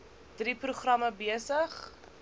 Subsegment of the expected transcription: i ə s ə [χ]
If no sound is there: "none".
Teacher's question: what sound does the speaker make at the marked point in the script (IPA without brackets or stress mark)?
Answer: χ